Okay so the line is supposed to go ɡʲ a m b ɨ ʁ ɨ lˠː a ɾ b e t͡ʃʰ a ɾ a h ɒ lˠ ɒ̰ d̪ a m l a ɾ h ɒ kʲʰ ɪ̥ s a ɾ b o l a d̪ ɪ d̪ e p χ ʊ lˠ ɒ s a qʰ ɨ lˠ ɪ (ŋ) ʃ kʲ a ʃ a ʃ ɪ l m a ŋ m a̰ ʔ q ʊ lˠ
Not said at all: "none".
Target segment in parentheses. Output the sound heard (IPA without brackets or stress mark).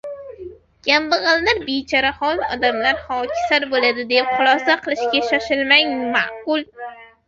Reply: none